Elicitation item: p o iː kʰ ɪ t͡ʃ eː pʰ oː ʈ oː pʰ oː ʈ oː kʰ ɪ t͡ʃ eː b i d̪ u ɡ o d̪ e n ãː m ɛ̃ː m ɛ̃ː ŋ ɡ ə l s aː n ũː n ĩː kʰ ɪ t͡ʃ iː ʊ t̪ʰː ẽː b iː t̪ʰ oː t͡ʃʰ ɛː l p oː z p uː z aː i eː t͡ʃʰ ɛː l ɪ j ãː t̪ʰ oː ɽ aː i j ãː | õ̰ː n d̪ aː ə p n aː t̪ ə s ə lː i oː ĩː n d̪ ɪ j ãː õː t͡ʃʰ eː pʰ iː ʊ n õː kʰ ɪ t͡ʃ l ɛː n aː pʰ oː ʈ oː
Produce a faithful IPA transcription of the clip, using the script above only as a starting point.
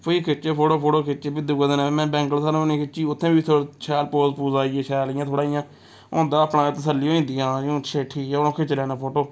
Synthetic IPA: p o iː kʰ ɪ t͡ʃ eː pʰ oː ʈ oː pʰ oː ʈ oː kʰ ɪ t͡ʃ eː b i d̪ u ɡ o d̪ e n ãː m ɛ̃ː b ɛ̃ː ŋ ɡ ə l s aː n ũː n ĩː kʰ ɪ t͡ʃ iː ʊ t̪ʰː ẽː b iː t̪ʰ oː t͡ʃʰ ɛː l p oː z p uː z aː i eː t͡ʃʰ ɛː l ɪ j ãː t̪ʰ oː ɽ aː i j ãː | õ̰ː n d̪ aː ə p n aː t̪ ə s ə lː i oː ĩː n d̪ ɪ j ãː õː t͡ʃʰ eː ʈʰ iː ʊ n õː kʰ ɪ t͡ʃ l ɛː n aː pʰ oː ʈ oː